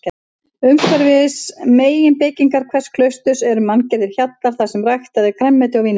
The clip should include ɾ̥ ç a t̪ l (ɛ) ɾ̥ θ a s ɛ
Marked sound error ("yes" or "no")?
yes